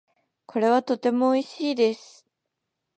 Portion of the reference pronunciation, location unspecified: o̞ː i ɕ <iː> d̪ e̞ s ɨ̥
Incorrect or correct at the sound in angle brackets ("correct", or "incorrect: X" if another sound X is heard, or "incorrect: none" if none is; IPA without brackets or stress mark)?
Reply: correct